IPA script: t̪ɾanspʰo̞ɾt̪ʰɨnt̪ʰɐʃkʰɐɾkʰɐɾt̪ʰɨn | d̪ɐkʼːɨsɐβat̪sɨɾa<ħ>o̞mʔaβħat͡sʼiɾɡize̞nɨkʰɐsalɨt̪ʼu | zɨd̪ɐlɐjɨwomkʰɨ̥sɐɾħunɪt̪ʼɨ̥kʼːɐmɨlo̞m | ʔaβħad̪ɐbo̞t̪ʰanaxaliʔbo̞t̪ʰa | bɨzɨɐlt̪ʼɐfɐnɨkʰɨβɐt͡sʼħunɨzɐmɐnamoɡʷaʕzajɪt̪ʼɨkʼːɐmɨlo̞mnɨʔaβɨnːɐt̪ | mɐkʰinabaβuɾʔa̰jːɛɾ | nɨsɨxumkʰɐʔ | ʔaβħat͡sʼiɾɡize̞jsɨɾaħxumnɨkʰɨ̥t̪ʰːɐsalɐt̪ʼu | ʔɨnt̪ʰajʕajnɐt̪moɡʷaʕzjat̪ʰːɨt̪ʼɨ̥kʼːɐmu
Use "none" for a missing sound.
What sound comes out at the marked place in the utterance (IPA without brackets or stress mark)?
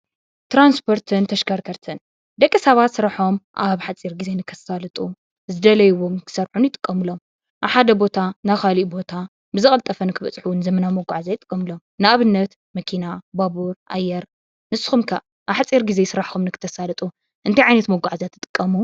ħ